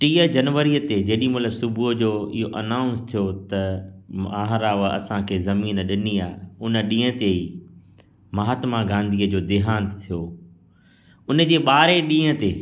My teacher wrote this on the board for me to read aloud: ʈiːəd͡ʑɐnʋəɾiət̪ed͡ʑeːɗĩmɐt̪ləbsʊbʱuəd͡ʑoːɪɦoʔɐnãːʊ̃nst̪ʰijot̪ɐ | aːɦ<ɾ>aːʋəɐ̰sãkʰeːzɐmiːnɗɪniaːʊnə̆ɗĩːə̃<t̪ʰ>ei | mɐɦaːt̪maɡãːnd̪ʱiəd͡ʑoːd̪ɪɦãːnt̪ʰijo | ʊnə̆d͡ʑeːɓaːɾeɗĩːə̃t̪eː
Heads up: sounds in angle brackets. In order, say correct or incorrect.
correct, incorrect

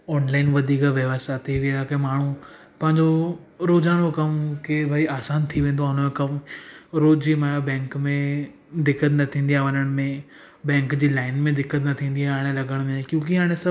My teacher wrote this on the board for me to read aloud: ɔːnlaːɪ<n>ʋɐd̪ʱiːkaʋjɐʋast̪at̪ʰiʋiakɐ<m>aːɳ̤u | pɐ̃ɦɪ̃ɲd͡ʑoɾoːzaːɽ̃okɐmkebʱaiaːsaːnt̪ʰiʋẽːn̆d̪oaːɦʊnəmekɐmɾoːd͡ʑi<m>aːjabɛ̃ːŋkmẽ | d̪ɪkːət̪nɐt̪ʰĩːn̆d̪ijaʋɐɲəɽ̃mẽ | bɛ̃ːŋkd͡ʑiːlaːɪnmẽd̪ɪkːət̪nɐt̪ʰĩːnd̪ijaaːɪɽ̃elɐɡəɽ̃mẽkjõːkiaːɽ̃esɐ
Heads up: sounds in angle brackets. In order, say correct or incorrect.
correct, correct, correct

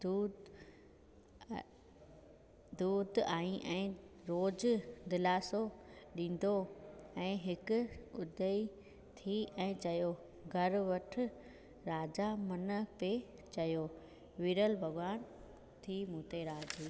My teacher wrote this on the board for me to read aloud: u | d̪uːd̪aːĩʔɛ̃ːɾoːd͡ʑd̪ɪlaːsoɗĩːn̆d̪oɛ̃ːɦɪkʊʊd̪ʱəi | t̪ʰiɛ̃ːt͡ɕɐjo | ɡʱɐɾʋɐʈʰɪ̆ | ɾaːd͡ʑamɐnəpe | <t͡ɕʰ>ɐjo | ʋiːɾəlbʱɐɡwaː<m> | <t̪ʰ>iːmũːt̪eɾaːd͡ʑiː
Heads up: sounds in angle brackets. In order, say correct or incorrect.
incorrect, incorrect, correct

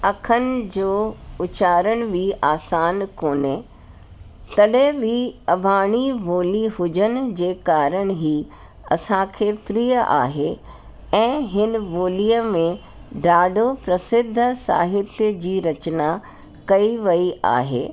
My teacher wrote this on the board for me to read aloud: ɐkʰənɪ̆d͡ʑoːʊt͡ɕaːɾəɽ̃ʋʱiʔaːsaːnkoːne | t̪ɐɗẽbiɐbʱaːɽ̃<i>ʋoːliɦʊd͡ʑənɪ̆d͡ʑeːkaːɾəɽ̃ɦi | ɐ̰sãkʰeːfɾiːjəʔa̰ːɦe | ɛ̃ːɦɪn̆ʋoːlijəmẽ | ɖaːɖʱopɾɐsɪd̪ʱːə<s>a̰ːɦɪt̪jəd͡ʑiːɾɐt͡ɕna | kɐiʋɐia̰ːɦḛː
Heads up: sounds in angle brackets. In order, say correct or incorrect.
correct, correct

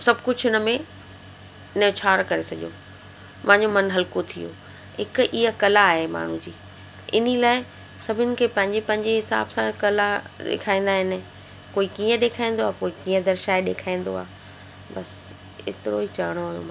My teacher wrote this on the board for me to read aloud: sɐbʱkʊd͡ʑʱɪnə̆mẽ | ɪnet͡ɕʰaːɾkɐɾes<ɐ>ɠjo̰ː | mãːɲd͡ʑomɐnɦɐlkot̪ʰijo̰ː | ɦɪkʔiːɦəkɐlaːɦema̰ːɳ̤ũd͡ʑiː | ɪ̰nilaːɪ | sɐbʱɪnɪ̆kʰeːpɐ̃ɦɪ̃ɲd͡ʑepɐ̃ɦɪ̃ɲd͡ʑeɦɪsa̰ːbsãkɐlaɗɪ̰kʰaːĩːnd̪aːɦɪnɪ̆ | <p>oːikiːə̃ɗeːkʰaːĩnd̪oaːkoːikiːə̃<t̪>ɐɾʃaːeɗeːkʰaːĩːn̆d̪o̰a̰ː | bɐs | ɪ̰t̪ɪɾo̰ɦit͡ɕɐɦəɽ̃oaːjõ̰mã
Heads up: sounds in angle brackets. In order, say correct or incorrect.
correct, incorrect, incorrect

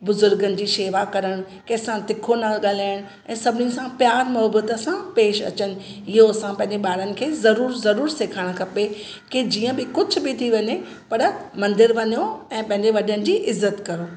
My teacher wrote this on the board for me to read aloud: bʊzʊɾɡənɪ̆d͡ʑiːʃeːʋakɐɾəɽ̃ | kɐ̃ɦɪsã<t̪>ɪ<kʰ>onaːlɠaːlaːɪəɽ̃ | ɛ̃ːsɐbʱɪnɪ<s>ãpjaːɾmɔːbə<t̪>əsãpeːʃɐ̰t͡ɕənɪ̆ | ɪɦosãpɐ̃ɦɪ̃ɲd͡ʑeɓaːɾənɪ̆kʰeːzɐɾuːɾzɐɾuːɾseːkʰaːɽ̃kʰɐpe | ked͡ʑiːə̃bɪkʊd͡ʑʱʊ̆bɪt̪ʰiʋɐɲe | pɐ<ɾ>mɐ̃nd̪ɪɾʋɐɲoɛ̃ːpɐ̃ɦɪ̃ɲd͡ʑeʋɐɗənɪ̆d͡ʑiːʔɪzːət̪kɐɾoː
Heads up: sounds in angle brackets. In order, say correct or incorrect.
correct, correct, correct, correct, correct

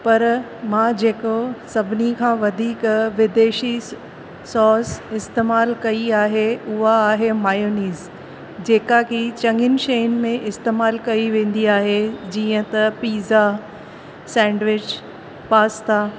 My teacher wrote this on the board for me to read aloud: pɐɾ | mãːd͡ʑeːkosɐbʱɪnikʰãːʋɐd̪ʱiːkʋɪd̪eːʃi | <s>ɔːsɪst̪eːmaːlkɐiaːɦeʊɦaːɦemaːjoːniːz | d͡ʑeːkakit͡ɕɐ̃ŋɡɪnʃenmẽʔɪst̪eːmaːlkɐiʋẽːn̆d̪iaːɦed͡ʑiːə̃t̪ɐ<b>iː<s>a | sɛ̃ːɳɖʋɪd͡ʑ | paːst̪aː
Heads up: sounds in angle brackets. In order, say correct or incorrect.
correct, incorrect, incorrect

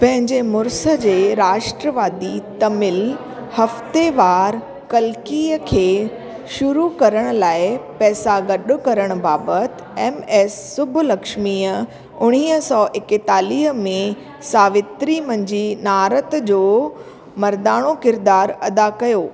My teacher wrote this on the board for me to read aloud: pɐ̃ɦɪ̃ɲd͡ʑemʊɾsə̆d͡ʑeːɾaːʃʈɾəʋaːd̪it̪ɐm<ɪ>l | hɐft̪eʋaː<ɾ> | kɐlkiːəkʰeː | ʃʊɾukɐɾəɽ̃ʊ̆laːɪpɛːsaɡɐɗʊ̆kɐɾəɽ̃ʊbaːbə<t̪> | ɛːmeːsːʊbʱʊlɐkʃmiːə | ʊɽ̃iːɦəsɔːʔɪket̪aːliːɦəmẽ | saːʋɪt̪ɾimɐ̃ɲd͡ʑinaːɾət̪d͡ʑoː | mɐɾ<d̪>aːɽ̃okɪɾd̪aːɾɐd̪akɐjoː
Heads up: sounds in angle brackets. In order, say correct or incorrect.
correct, correct, correct, correct

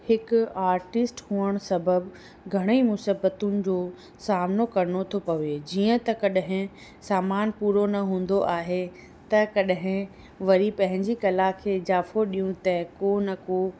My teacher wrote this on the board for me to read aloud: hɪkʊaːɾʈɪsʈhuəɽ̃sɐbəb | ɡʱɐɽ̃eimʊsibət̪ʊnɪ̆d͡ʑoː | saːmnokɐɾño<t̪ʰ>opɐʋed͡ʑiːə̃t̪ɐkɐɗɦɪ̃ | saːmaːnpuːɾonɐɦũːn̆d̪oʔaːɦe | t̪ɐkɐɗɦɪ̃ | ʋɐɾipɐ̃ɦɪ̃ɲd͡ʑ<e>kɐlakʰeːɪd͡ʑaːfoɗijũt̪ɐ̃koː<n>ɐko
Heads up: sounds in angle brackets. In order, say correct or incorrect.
correct, incorrect, correct

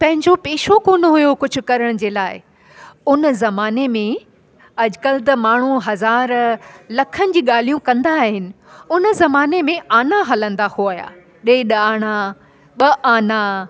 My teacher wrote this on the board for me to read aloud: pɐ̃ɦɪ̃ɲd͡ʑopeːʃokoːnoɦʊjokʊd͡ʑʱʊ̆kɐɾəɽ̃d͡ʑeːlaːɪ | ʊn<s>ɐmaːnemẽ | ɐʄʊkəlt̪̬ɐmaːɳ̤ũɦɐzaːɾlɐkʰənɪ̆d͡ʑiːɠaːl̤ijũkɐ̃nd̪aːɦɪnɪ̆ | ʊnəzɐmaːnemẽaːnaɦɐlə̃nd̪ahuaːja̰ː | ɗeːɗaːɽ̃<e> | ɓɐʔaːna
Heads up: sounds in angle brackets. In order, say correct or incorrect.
incorrect, incorrect

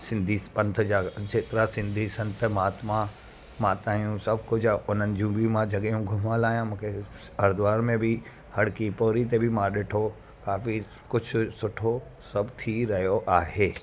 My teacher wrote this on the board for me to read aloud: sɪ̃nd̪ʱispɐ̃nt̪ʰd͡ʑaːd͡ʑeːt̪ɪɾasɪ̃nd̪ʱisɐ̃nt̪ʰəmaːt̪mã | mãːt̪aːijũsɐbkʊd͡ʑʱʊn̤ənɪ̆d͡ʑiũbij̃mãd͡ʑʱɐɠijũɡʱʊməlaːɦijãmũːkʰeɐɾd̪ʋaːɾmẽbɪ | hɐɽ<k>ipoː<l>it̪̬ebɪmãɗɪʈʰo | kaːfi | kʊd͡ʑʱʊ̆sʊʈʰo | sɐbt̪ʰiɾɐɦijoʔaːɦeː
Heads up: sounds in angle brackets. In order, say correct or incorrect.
correct, incorrect

